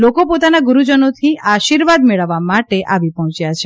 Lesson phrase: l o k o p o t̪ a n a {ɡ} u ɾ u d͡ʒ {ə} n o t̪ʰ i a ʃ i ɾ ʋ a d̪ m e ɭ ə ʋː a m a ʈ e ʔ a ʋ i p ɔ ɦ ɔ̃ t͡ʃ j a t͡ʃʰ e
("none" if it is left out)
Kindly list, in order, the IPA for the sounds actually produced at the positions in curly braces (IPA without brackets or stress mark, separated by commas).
ɡ, ə